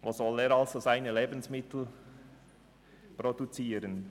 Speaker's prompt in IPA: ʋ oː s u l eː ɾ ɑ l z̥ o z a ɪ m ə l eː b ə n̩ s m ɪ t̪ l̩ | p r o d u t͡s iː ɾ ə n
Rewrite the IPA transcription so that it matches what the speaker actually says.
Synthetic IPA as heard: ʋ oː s ɔ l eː ɾ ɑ l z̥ o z a ɪ n ə l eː b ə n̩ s m ɪ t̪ l̩ | p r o d u t͡s iː ɾ ə n